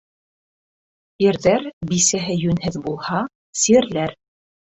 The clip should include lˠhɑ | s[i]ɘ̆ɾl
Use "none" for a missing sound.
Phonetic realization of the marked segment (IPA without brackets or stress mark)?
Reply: i